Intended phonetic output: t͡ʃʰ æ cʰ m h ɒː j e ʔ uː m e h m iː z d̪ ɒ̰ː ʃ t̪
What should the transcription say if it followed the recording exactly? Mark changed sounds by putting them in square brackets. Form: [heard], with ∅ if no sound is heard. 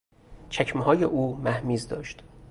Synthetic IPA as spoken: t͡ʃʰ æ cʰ m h ɒː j e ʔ uː m [æ] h m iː z d̪ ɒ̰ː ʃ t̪